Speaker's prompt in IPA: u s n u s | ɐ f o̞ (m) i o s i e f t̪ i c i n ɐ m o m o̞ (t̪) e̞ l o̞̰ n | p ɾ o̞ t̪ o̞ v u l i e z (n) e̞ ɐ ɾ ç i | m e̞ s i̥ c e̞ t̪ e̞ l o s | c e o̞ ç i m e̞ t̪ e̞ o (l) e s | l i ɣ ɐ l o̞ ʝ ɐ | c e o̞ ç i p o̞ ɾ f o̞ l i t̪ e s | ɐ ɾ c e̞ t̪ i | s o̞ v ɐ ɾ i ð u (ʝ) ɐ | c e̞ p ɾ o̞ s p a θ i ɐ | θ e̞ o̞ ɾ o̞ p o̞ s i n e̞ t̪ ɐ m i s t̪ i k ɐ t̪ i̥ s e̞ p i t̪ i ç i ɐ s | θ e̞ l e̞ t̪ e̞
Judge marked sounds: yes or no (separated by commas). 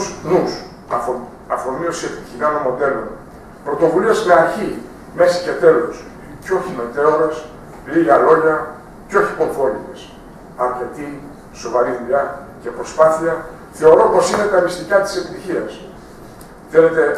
yes, no, no, no, no